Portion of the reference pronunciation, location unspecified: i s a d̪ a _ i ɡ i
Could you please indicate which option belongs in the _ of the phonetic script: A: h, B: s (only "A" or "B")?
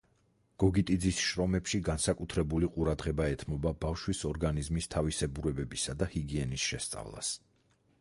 A